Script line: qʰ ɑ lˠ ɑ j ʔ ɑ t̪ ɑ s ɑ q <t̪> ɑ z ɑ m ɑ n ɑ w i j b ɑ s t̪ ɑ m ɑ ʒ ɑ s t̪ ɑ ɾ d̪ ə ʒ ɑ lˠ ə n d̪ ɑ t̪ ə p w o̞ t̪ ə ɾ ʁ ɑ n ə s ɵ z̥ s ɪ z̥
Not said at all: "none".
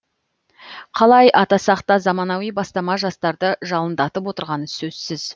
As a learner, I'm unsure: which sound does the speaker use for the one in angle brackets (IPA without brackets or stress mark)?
t̪